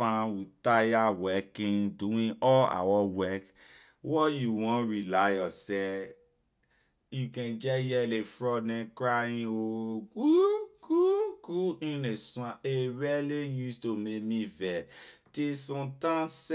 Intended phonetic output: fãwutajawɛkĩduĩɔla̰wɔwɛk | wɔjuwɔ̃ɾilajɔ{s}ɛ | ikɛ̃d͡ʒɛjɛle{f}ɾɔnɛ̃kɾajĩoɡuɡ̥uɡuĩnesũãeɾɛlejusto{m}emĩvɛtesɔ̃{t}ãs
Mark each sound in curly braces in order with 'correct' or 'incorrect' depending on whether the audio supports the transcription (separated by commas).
correct, correct, correct, correct